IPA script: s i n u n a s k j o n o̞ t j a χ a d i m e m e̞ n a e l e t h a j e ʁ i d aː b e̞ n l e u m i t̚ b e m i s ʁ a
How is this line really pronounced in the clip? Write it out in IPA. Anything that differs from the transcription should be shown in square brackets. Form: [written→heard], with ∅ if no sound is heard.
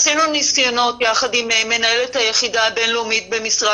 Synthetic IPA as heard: s i n u n [a→i] s k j o n o̞ t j a χ a d i m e m e̞ n a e l e t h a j e [ʁ→χ] i d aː b e̞ n l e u m i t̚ b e m i s ʁ a